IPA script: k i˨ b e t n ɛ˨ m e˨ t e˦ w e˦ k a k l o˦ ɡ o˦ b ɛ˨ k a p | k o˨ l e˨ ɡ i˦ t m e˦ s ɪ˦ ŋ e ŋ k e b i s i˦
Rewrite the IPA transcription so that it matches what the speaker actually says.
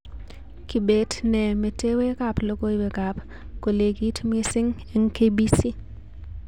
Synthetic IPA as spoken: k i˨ b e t n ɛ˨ m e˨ t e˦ w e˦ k a p l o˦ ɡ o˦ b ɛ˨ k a p | k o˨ l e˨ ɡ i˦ t m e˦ s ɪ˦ ŋ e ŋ k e b i s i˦

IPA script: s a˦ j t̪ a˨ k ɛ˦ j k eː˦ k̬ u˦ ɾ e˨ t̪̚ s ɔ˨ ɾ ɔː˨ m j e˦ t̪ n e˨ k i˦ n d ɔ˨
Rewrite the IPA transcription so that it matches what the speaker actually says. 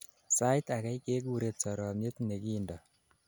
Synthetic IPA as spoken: s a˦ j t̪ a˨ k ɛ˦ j k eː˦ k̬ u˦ ɾ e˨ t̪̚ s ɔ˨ ɾ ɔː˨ m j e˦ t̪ n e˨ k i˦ n d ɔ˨

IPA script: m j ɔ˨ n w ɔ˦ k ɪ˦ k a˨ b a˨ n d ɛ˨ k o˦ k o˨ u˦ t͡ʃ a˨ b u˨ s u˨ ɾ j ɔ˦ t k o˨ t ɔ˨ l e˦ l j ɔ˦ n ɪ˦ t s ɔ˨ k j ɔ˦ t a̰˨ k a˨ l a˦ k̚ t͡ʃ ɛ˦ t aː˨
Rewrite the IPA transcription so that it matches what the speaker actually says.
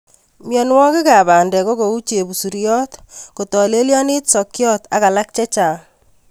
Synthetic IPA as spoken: m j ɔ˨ n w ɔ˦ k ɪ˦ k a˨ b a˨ n d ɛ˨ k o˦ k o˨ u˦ t͡ʃ e˨ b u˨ s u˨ ɾ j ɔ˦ t k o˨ t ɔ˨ l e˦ l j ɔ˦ n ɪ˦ t s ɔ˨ k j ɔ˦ t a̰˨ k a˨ l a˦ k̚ t͡ʃ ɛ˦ t͡ʃ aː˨

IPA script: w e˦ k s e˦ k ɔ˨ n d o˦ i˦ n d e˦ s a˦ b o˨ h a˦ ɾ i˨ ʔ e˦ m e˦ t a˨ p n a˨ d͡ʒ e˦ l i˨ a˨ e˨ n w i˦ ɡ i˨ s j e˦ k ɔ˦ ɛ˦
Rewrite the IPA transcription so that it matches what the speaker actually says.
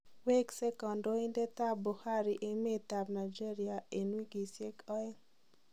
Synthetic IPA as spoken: w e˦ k s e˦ k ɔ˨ n d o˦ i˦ n d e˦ t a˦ b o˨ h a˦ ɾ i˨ ʔ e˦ m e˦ t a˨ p n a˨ d͡ʒ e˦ ɾ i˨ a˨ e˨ n w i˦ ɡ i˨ s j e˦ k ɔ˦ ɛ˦

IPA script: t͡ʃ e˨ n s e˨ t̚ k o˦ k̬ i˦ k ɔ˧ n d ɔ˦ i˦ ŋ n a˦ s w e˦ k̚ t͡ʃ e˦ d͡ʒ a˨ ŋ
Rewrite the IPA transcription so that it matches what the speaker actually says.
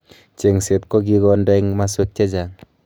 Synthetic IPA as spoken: t͡ʃ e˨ ŋ s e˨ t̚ k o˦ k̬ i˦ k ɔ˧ n d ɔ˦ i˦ ŋ m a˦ s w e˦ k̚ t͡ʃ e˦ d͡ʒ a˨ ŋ

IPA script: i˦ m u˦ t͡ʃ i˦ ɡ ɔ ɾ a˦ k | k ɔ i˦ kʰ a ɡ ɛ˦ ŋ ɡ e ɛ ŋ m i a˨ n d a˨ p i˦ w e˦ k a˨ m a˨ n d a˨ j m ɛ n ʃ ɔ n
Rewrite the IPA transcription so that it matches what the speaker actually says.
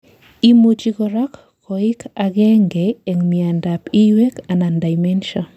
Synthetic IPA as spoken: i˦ m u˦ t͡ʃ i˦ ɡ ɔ ɾ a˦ k | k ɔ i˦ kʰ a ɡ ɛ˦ ŋ ɡ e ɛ ŋ m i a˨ n d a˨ p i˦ w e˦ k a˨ n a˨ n d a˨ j m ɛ n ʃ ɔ n

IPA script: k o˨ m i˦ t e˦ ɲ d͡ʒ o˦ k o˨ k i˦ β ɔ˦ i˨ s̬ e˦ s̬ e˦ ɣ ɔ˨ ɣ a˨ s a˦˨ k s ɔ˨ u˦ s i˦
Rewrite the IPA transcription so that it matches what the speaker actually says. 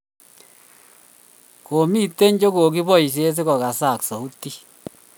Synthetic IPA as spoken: k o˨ m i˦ t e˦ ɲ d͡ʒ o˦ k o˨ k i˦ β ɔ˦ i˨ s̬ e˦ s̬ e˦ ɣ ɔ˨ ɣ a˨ s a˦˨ k s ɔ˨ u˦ t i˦

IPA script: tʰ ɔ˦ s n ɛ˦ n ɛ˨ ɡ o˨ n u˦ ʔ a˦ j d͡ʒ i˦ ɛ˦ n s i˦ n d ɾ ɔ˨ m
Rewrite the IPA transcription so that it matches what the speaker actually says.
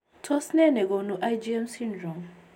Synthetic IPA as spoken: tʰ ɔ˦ s n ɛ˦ n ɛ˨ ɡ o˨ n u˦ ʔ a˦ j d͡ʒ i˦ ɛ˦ m s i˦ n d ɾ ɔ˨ m

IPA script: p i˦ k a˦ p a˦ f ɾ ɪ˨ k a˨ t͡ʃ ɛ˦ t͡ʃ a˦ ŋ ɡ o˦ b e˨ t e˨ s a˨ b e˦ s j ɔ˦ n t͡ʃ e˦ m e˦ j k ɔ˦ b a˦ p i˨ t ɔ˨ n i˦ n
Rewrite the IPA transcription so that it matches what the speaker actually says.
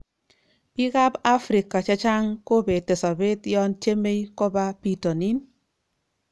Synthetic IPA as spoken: p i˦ k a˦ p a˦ f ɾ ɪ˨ k a˨ t͡ʃ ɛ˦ t͡ʃ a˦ ŋ k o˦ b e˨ t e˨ s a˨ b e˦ t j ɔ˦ n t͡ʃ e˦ m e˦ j k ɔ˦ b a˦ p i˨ t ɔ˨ n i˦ n

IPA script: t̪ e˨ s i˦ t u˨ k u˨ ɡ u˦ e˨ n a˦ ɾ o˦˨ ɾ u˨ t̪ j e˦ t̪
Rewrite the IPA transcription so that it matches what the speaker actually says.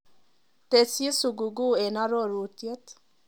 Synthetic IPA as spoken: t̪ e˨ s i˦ s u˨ ɡ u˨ ɡ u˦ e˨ n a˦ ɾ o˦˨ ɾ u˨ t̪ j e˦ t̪

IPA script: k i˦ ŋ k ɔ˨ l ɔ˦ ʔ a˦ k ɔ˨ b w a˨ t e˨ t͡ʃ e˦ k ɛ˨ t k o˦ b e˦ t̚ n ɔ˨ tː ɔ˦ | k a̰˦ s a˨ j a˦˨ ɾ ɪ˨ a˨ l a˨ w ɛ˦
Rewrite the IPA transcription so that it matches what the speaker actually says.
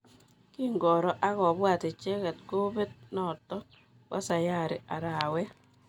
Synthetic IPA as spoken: k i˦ ŋ ɡ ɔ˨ ɾ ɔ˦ ʔ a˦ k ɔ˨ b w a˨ t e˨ t͡ʃ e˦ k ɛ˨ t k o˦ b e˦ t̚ n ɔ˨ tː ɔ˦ | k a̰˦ s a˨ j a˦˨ ɾ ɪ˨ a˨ ɾ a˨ w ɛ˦

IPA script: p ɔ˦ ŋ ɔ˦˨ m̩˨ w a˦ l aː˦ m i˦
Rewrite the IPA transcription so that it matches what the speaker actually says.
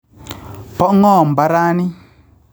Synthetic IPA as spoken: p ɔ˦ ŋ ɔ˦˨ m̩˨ b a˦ ɾ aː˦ n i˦

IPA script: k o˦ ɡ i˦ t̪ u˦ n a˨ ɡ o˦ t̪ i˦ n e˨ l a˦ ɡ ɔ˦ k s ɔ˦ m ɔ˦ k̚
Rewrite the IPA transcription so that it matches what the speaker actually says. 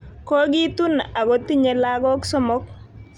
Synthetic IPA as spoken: k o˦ ɡ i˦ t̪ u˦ n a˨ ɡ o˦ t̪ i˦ ɲ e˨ l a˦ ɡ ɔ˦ k s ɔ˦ m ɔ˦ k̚

